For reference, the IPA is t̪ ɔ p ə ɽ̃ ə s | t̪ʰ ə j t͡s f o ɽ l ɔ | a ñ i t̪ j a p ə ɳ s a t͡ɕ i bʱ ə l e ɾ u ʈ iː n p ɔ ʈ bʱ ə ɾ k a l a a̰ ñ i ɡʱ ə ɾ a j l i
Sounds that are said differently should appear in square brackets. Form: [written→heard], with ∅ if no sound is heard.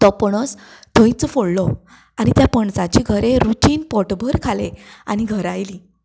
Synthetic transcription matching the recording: t̪ ɔ p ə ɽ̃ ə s | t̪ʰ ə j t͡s f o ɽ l ɔ | a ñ i t̪ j a p ə ɳ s a t͡ɕ i [bʱ→ɡʱ] ə [l→ɾ] e ɾ u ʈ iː n p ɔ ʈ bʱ ə ɾ [k→kʰ] a l [a→e] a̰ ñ i ɡʱ ə ɾ a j l i